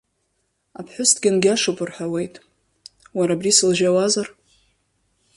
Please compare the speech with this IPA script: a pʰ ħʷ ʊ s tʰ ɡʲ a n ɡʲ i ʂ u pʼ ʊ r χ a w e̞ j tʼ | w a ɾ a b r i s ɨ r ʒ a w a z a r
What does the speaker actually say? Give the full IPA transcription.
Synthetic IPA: a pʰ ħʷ ʊ s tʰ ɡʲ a n ɡʲ a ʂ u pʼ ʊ r ħ a w e̞ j tʼ | w a ɾ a b r i s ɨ l ʒ a w a z a r